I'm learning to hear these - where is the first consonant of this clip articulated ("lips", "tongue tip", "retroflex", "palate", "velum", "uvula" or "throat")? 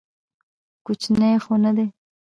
velum